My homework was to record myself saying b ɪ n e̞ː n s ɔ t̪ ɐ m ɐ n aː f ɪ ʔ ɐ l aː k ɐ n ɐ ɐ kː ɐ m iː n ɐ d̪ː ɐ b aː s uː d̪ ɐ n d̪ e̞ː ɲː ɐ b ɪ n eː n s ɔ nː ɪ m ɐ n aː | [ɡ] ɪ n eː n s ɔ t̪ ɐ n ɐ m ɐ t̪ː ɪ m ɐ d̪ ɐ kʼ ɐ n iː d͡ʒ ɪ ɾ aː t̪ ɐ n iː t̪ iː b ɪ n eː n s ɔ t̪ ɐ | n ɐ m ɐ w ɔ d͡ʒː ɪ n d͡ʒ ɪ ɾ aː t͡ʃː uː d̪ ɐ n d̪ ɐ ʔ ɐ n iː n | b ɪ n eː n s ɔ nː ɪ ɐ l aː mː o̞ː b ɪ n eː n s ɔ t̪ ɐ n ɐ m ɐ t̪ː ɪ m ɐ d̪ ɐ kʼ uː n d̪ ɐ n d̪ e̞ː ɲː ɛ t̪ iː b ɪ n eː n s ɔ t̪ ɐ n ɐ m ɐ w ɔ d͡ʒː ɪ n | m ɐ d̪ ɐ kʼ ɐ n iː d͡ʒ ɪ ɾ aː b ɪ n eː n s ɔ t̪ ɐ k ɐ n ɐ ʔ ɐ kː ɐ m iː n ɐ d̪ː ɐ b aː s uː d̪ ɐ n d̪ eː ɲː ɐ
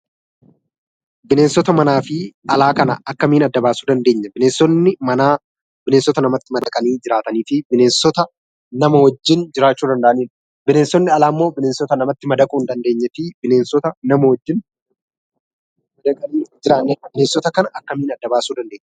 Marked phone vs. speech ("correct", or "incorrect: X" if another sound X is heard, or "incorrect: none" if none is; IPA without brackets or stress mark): incorrect: b